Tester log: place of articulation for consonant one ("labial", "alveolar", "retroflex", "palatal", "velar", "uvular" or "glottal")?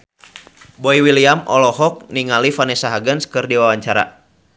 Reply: labial